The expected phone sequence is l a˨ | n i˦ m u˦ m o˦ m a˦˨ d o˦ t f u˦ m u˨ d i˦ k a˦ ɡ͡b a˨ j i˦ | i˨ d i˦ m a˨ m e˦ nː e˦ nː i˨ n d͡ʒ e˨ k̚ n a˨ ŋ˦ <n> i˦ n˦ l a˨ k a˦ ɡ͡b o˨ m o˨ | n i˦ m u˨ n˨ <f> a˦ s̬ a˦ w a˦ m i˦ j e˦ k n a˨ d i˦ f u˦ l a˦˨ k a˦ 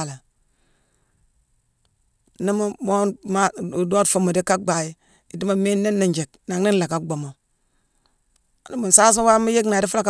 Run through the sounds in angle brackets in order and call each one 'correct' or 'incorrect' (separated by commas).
correct, incorrect